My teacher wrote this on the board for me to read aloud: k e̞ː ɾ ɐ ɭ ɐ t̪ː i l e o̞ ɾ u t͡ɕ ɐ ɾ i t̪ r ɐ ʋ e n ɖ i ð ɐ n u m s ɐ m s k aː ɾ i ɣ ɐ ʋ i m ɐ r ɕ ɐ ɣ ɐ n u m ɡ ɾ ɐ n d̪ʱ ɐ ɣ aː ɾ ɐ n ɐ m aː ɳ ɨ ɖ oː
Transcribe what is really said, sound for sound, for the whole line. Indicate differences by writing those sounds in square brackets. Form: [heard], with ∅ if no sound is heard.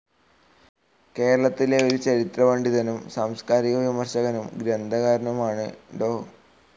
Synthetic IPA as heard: k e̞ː ɾ ɐ ɭ ɐ t̪ː i l e o̞ ɾ u t͡ɕ ɐ ɾ i t̪ r ɐ ʋ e [ɳ] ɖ i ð ɐ n u m s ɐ m s k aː ɾ i ɣ ɐ ʋ i m ɐ r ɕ ɐ ɣ ɐ n u m ɡ ɾ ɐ n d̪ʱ ɐ ɣ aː ɾ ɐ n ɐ m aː ɳ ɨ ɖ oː